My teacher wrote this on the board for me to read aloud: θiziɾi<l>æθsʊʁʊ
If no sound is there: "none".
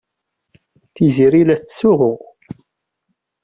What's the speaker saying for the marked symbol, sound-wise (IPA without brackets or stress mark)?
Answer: l